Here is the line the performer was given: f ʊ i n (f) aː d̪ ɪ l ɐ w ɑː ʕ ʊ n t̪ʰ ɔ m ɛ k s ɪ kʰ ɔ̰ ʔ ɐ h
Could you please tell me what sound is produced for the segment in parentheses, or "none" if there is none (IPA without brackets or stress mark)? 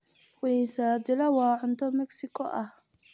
s